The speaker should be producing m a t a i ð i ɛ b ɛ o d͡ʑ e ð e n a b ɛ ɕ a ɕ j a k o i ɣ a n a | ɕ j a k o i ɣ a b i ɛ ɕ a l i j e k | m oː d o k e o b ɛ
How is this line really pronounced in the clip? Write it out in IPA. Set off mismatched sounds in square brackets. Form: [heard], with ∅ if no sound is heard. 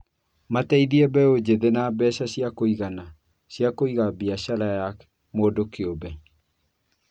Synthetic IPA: m a t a i ð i ɛ b ɛ o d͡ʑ e ð e n a b ɛ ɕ a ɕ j a k o i ɣ a n a | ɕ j a k o i ɣ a b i [a] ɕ a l [a] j [a] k | m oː d o k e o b ɛ